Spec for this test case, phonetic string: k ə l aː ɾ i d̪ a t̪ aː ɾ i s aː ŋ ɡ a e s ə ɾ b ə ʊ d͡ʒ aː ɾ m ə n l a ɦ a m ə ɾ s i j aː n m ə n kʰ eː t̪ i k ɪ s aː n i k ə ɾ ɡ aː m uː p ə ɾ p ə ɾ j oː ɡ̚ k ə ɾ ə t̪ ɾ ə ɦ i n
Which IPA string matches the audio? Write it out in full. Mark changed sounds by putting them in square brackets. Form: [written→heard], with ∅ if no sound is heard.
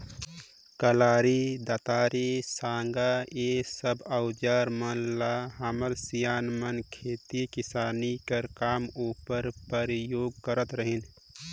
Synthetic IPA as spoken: k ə l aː ɾ i d̪ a t̪ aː ɾ i s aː ŋ ɡ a e s ə [ɾ→∅] b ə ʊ d͡ʒ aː ɾ m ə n l a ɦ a m ə ɾ s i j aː n m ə n kʰ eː t̪ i k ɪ s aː n i k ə ɾ [ɡ→k] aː m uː p ə ɾ p ə ɾ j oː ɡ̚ k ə ɾ ə t̪ ɾ ə ɦ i n